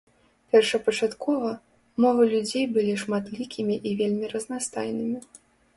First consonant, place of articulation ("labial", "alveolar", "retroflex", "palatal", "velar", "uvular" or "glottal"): labial